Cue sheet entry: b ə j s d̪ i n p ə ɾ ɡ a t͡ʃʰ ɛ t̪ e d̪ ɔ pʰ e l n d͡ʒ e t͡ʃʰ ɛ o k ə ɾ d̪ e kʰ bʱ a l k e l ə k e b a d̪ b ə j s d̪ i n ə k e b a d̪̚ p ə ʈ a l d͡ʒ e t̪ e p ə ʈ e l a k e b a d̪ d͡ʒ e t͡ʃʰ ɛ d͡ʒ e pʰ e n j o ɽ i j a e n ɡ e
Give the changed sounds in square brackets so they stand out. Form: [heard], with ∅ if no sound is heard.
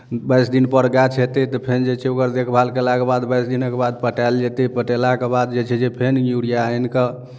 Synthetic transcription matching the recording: b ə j s d̪ i n p ə ɾ ɡ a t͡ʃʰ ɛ t̪ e [t̪] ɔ pʰ e [∅] n d͡ʒ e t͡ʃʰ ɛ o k ə ɾ d̪ e kʰ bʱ a l k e l [a] k e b a d̪ b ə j s d̪ i n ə k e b a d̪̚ p ə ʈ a l d͡ʒ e t̪ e p ə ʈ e l a k e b a d̪ d͡ʒ e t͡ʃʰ ɛ d͡ʒ e pʰ e n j [u] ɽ i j a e n [k] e